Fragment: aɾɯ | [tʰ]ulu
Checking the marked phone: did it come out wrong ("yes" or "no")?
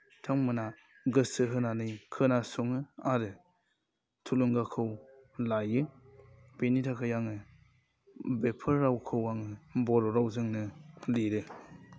no